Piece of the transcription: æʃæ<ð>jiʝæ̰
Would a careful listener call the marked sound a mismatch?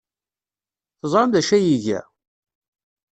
yes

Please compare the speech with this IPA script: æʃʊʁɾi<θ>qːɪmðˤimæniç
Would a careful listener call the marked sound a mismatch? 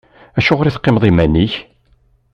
no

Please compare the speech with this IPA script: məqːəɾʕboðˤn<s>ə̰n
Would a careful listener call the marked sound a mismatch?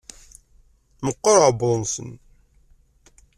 no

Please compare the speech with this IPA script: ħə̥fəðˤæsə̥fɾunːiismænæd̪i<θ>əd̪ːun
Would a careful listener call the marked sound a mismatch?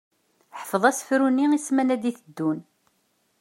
no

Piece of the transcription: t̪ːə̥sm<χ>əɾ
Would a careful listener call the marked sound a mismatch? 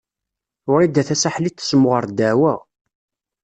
yes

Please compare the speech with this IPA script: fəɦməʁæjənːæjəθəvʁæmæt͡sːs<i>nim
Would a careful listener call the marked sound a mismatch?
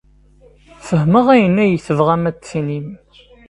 no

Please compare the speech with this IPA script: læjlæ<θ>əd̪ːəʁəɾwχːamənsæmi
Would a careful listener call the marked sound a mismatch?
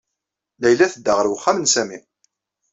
no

